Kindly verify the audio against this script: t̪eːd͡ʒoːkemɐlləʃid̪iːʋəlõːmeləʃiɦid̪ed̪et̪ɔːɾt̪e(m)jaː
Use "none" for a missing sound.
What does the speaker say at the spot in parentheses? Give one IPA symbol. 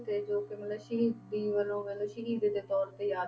none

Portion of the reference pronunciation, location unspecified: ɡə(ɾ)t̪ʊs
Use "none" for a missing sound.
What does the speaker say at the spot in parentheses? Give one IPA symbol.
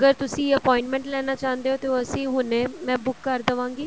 ɾ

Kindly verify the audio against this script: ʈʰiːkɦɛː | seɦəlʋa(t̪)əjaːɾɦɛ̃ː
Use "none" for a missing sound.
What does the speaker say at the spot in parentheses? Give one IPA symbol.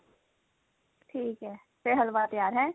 t̪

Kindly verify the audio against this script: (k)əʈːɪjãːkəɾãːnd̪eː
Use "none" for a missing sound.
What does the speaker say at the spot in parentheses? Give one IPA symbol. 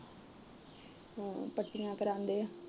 p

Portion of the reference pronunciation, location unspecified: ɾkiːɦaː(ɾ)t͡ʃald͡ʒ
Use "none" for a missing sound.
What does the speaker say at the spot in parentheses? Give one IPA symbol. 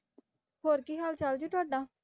l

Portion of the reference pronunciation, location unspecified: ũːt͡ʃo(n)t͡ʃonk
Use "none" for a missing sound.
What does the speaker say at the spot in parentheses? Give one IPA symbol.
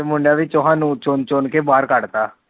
n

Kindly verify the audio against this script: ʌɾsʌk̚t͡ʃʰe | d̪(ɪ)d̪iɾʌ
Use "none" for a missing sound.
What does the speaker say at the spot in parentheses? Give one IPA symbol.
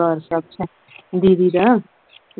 i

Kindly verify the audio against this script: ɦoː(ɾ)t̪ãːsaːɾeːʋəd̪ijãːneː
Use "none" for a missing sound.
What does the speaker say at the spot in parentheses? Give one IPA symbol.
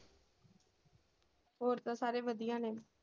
ɾ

